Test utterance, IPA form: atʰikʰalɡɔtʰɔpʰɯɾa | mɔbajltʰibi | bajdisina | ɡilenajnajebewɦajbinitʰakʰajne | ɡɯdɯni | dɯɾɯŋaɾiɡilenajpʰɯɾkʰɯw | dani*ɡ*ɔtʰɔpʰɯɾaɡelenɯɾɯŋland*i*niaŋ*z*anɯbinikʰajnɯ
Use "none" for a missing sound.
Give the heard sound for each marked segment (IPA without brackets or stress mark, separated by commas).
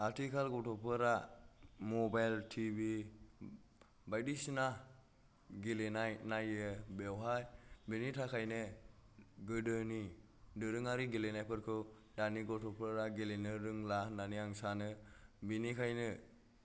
ɡ, a, s